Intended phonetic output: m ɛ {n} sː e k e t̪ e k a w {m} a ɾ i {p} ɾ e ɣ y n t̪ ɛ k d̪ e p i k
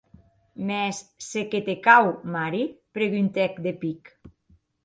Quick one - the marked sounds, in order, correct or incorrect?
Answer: incorrect: none, correct, correct

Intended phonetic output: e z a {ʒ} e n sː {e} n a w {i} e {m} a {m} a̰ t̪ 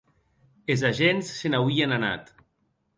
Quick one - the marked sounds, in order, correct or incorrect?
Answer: correct, correct, correct, incorrect: n, incorrect: n

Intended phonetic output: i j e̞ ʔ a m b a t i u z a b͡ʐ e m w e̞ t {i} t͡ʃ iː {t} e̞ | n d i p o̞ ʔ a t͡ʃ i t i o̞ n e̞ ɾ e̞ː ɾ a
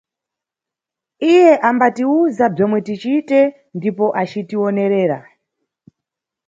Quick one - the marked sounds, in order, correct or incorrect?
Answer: correct, correct

